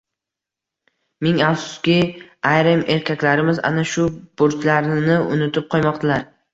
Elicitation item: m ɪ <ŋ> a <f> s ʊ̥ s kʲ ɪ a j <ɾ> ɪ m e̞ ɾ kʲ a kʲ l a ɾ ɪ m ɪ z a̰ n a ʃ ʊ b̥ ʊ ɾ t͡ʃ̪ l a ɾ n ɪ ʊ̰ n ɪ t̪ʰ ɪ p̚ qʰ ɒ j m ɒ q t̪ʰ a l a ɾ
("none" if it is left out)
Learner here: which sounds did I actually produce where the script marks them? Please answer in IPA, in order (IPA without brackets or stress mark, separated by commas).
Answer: ŋ, f, ɾ